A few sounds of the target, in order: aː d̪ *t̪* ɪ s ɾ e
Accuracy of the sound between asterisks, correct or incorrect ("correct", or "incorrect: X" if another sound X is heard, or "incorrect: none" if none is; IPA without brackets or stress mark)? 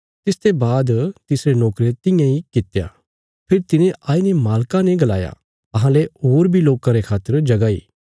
correct